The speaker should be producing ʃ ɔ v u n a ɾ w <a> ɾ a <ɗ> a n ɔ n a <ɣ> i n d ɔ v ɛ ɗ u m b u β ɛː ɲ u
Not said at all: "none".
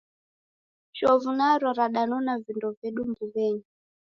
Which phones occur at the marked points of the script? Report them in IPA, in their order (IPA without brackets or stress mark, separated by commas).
a, ɗ, v